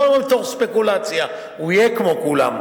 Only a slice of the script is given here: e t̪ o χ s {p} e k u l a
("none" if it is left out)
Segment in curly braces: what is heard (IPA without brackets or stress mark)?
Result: p